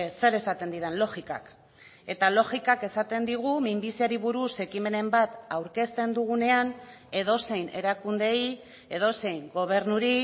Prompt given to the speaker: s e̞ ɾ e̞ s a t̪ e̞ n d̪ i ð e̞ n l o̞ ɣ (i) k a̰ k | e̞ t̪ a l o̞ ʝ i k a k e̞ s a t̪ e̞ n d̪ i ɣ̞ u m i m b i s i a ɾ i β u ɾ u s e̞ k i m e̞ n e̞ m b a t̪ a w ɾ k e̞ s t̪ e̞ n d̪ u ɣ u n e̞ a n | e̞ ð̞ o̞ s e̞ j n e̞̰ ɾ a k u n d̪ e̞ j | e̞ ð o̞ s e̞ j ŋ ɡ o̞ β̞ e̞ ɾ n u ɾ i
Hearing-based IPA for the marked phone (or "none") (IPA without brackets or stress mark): i